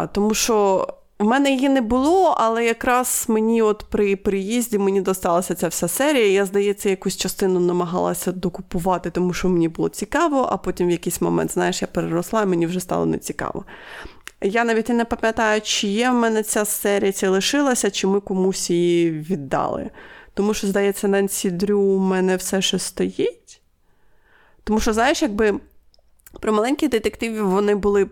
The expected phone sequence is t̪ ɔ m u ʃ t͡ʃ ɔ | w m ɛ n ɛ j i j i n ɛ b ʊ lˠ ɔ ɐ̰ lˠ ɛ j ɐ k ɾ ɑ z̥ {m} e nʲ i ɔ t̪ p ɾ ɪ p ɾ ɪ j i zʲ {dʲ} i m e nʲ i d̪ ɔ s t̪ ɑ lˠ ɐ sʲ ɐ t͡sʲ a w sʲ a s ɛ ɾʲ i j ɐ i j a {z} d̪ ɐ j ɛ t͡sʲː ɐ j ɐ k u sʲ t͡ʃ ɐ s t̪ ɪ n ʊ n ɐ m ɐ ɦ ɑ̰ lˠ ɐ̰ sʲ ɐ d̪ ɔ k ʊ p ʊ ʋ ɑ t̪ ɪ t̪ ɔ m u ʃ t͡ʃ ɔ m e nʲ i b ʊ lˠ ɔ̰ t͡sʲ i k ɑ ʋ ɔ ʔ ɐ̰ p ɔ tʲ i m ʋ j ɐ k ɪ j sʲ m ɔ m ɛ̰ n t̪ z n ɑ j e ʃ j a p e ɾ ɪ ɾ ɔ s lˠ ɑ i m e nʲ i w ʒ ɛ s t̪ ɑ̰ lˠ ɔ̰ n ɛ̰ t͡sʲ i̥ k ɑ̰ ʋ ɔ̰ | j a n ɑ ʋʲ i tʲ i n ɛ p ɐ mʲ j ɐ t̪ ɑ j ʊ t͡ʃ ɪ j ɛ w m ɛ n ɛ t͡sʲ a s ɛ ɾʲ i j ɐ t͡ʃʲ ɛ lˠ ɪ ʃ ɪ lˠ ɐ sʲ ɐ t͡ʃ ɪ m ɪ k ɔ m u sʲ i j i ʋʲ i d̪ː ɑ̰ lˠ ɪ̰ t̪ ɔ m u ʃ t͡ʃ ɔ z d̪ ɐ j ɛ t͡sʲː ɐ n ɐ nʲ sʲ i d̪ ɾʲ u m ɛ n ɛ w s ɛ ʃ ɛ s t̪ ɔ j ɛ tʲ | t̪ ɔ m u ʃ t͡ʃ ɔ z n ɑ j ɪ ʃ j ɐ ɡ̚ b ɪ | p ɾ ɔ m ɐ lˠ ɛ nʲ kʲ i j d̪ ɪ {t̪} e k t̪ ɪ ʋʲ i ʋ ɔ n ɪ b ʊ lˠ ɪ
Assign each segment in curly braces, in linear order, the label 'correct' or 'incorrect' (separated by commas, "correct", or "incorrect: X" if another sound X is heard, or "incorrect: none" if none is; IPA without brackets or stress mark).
correct, correct, correct, correct